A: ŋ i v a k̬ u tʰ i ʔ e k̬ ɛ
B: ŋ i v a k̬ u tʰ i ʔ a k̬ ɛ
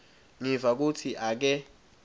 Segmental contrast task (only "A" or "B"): B